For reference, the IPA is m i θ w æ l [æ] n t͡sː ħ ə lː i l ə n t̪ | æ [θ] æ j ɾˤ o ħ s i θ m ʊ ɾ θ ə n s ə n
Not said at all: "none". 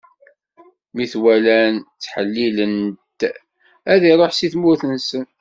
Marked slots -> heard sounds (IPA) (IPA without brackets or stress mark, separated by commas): æ, ð